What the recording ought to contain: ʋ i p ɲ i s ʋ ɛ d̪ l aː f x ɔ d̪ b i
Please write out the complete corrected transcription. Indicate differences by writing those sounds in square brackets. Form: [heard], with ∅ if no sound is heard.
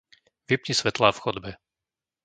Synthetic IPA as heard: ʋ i p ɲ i s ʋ ɛ [t̪] l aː f x ɔ d̪ b [ɛ]